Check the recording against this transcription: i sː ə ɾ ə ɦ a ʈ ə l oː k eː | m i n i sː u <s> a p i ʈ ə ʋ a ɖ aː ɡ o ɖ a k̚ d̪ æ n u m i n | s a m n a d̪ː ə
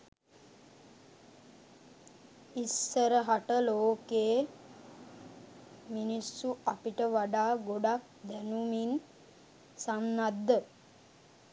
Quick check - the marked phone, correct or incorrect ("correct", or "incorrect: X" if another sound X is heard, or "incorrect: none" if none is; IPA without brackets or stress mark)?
incorrect: none